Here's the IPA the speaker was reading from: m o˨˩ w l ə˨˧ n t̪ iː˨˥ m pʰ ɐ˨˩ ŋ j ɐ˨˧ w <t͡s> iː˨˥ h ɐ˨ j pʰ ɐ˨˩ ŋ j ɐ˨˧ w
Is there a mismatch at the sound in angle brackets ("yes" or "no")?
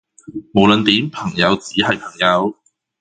no